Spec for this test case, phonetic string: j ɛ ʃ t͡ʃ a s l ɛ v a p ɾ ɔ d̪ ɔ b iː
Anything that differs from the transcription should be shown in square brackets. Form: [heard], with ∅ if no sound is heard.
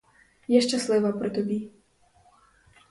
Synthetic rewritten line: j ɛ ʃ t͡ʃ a s l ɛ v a p ɾ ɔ [t̪] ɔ b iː